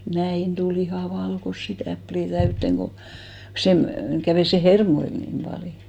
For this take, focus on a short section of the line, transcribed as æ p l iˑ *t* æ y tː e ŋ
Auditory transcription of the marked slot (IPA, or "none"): t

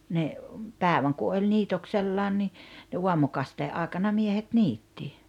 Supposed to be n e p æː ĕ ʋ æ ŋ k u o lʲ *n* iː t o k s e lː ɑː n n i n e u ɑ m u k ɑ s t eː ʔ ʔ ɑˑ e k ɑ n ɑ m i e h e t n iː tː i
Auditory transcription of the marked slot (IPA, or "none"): n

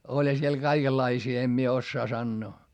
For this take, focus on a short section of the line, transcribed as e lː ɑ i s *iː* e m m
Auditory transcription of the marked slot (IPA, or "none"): iː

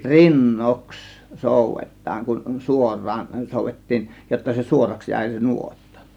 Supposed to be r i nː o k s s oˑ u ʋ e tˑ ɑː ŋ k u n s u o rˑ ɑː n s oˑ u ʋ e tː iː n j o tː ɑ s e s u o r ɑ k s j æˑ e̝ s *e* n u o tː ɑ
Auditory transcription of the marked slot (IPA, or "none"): e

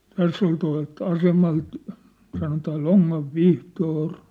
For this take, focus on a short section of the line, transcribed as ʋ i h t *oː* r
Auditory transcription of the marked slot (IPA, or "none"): oː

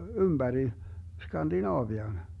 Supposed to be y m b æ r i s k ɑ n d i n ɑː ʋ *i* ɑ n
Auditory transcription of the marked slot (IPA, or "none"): i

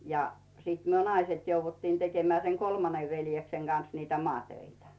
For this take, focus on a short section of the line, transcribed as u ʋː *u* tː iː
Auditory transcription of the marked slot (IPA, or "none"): u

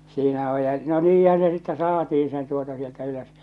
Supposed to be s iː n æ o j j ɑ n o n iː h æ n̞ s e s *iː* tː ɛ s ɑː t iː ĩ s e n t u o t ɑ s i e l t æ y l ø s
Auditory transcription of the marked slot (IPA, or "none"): i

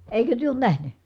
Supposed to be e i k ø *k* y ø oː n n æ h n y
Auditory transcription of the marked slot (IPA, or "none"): t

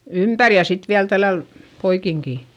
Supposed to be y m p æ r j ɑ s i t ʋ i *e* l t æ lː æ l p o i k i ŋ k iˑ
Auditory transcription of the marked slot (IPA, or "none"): æ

